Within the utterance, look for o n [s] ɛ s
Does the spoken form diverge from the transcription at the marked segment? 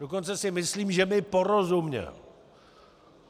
yes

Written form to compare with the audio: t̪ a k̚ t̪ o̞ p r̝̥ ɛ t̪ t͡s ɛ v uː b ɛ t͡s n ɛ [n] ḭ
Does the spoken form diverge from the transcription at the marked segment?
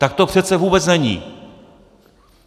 yes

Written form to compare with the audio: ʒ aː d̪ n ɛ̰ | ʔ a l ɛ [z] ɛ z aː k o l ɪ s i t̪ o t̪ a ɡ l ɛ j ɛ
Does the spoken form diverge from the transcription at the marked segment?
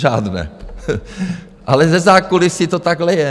no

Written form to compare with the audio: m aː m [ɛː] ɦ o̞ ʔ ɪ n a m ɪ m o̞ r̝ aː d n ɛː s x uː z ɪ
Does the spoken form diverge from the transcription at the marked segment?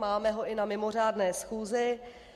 yes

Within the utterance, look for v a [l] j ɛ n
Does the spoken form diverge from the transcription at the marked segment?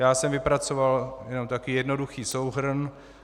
no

